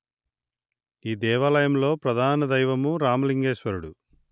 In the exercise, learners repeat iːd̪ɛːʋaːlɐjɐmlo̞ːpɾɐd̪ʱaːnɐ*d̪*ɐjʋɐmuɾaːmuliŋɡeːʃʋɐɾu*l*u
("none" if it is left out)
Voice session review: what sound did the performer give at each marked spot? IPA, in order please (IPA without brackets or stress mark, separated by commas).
d̪, ɽ